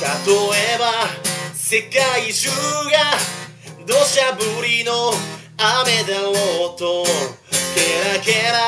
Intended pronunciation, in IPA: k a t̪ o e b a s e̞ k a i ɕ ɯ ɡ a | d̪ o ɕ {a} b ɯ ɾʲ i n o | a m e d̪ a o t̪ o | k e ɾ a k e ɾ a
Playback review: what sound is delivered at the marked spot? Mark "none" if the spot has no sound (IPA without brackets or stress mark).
a